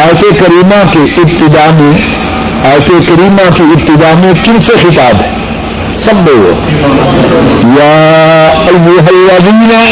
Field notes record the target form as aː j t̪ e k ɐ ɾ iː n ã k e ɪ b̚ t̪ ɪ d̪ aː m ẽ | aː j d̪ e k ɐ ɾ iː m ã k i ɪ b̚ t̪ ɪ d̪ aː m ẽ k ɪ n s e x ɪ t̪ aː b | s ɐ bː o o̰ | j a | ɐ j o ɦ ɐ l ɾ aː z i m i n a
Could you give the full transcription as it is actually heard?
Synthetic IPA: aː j t̪ e k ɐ ɾ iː m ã k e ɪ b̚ t̪ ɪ d̪ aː m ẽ | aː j t̪ e k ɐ ɾ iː m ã k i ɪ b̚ t̪ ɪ d̪ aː m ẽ k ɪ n s e x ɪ t̪ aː b | s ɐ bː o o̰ | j a | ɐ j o ɦ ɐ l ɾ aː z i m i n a